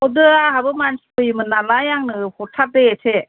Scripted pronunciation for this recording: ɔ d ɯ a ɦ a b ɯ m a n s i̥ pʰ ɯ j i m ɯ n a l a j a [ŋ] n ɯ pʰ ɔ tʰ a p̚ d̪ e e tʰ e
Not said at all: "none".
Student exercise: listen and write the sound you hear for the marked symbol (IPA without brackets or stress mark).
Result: ŋ